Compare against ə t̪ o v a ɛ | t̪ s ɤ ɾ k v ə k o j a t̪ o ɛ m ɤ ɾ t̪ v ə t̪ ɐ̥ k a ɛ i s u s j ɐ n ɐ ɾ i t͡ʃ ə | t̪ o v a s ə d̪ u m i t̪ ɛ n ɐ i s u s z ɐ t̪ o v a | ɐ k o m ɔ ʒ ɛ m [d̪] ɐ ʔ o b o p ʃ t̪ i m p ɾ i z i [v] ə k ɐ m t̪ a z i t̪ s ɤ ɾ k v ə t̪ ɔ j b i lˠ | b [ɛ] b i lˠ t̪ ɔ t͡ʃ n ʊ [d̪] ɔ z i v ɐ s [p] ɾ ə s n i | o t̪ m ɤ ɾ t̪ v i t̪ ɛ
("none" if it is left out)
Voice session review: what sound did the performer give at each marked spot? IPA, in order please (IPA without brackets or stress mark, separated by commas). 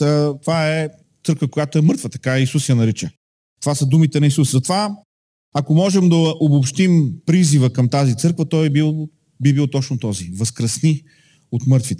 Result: d̪, v, i, t̪, k